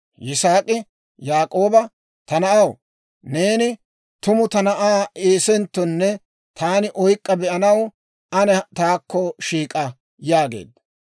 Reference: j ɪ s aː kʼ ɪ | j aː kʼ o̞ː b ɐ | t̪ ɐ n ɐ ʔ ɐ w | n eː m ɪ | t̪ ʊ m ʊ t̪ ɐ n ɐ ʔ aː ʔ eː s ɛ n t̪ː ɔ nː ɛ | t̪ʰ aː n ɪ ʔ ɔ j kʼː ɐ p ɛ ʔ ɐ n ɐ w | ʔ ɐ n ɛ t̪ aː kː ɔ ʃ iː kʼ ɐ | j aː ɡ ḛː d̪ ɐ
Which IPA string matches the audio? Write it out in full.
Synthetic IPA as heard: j ɪ s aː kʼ ɪ | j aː kʼ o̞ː b ɐ | t̪ ɐ n ɐ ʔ ɐ w | n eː n ɪ | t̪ ʊ m ʊ t̪ ɐ n ɐ ʔ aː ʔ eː s ɛ n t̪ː ɔ nː ɛ | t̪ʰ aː n ɪ ʔ ɔ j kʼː ɐ b ɛ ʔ ɐ n ɐ w | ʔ ɐ n ɛ t̪ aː kː ɔ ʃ iː kʼ ɐ | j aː ɡ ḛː d̪ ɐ